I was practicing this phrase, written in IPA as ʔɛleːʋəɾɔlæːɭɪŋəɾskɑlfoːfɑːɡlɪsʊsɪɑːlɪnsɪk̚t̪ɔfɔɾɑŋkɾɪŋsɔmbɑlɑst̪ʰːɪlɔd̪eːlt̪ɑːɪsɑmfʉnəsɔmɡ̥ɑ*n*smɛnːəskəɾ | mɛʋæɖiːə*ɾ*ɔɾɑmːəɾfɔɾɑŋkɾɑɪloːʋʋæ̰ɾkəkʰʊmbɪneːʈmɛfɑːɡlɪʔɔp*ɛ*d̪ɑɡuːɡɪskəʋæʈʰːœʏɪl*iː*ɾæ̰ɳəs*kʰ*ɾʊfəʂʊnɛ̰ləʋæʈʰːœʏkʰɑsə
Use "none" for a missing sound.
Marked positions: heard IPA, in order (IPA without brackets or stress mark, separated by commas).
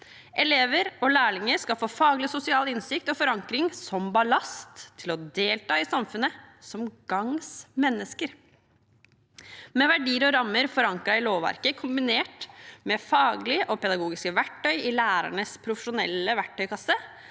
ŋ, ɾ, ɛ, æː, pʰ